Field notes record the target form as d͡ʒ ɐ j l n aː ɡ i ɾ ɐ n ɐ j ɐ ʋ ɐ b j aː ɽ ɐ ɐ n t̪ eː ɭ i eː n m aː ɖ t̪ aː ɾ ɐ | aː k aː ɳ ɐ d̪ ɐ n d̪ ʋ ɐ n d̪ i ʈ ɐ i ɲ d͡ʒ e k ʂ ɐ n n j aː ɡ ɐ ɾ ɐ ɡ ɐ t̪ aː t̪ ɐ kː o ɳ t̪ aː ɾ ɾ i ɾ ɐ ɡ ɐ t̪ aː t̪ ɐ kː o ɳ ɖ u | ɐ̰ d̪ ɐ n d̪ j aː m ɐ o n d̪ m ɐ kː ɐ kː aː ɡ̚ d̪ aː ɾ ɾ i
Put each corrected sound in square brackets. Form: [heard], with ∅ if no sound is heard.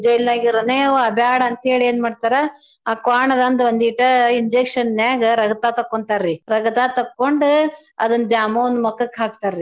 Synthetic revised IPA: d͡ʒ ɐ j l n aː ɡ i ɾ ɐ n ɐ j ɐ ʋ ɐ b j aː ɽ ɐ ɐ n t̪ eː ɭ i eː n m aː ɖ t̪ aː ɾ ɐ | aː k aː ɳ ɐ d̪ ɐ n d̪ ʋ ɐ n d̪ i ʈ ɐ i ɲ d͡ʒ e k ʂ ɐ n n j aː ɡ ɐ ɾ ɐ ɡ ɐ t̪ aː t̪ ɐ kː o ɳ t̪ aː ɾ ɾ i ɾ ɐ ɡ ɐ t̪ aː t̪ ɐ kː o ɳ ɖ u | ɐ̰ d̪ ɐ n d̪ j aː m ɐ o n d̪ m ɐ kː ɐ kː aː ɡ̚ [t̪] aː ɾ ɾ i